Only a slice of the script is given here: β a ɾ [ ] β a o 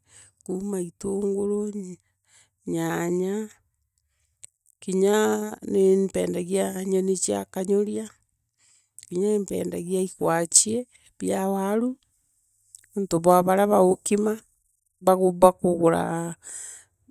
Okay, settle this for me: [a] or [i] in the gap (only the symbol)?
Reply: a